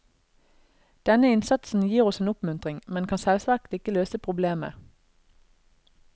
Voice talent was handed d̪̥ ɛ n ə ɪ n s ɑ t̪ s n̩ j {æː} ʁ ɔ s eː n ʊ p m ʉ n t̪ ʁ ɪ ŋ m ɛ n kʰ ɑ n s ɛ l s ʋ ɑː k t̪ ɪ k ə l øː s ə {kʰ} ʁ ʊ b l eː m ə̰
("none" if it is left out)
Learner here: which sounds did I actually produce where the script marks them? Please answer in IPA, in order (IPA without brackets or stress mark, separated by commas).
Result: iː, pʰ